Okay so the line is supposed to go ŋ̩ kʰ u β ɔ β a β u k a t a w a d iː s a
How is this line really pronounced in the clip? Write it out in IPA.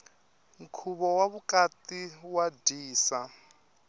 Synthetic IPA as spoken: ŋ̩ kʰ u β ɔ w a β u k a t i w a d iː s a